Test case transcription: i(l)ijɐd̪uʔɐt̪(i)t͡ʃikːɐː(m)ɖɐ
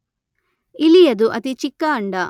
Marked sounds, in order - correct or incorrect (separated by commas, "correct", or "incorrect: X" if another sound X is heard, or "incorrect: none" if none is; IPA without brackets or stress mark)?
correct, correct, incorrect: ɳ